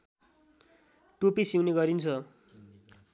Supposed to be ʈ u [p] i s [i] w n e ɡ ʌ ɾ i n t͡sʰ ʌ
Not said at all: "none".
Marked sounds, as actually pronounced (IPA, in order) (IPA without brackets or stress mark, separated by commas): p, i